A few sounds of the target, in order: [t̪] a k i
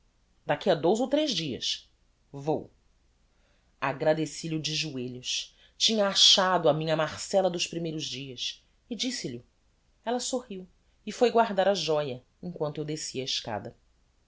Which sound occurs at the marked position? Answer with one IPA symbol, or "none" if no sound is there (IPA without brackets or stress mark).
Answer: d̪